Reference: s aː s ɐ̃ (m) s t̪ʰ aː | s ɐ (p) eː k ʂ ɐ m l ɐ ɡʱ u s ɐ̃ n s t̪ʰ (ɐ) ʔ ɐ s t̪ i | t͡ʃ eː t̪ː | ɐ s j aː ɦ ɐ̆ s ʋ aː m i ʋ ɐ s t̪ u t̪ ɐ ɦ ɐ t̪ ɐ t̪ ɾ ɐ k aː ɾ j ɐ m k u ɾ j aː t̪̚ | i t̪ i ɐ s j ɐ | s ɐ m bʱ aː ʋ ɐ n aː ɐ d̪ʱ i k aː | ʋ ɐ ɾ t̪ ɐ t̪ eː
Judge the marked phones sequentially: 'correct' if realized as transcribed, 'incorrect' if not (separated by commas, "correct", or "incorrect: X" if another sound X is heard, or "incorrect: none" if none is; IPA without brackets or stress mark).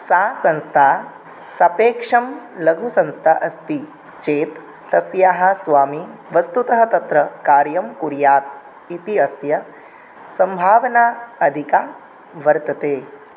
incorrect: n, correct, incorrect: a